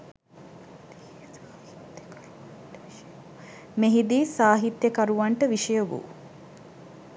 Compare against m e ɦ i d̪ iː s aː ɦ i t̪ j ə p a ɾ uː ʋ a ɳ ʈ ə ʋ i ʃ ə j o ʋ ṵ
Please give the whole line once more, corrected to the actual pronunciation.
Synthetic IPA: m e ɦ i d̪ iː s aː ɦ i t̪ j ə k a ɾ u ʋ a ɳ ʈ ə ʋ i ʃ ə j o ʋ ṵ